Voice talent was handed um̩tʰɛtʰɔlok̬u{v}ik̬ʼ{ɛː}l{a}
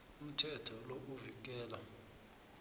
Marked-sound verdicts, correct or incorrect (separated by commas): correct, correct, correct